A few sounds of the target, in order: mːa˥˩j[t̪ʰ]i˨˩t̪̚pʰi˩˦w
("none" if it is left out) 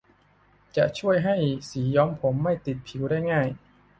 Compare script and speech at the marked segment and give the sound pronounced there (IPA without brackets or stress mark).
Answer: t̪